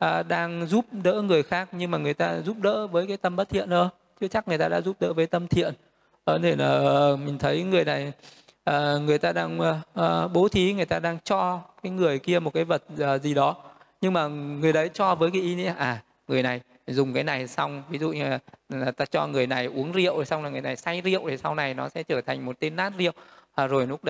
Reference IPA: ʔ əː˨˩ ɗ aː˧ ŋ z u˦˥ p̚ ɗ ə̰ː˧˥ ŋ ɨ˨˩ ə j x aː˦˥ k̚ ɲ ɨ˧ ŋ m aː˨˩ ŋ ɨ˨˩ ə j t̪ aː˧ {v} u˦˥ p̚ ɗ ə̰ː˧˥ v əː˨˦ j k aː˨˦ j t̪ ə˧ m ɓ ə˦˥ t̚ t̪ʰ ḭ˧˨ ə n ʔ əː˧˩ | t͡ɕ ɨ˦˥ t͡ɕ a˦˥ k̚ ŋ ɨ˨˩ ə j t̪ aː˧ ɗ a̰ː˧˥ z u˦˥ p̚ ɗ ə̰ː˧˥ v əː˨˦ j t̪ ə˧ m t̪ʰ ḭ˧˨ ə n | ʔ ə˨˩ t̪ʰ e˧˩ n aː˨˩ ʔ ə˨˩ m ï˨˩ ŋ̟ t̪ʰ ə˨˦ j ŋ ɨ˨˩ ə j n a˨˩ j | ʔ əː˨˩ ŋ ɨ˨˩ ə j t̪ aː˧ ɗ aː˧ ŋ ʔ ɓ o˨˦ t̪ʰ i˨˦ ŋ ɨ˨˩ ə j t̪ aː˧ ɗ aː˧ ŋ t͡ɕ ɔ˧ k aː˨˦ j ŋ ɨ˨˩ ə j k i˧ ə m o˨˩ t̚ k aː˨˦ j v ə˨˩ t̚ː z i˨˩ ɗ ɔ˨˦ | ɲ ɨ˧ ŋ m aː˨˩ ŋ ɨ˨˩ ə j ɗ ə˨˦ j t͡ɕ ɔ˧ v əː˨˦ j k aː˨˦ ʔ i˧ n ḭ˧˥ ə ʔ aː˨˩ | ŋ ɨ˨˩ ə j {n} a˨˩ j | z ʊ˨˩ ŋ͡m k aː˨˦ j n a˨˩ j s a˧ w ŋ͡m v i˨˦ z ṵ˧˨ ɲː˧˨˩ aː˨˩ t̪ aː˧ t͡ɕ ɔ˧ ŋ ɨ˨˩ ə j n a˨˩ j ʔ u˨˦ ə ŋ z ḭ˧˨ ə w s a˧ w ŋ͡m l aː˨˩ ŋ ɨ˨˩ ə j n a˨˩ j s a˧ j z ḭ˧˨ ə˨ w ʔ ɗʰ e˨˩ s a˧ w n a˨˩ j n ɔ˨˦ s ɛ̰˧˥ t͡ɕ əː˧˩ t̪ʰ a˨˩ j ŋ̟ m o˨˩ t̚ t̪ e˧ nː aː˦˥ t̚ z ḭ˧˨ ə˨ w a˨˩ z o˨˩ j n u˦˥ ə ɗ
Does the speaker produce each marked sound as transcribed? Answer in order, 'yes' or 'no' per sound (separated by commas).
no, yes